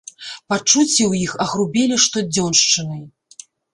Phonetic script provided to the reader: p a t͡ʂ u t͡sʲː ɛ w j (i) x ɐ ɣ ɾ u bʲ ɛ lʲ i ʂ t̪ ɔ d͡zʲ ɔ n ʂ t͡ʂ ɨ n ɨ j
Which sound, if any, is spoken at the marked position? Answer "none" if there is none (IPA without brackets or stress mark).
i